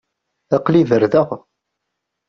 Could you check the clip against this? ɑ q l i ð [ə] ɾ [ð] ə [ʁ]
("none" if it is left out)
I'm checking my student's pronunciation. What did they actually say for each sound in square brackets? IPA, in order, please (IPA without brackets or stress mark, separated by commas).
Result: ə, ð, ʁ